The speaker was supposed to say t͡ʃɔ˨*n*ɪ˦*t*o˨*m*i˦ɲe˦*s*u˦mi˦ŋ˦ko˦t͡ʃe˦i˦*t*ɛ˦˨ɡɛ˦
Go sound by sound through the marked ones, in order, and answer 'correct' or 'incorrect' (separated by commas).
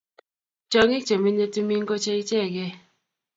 incorrect, incorrect, correct, incorrect, incorrect